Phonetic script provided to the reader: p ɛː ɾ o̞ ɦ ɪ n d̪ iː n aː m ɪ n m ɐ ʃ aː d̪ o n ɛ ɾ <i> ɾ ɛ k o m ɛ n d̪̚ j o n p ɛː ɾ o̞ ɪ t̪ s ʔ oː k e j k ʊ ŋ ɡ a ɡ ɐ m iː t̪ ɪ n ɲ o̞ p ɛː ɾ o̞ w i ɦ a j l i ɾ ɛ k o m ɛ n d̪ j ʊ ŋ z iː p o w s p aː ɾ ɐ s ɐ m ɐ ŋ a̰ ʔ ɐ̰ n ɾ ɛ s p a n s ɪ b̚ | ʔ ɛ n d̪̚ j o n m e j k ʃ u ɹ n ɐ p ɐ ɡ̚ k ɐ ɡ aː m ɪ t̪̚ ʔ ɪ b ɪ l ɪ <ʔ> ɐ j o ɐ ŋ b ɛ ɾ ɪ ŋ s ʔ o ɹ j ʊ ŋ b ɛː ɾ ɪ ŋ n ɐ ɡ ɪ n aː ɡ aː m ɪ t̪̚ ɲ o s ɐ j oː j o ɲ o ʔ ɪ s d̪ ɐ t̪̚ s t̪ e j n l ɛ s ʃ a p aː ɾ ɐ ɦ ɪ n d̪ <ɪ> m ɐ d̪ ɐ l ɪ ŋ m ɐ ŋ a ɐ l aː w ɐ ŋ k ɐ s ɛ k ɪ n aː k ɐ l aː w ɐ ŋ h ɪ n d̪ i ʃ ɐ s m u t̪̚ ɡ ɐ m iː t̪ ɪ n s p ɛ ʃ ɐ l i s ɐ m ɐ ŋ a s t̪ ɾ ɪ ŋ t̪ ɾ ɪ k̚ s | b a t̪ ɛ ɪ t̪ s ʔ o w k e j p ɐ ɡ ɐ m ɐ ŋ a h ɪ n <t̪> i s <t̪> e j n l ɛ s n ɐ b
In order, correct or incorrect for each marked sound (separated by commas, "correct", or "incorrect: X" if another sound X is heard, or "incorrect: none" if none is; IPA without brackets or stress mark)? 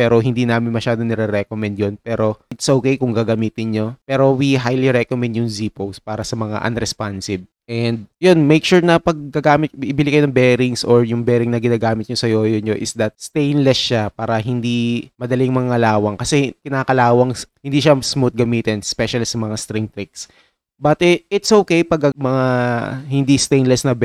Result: incorrect: ɛ, incorrect: k, incorrect: i, incorrect: d̪, correct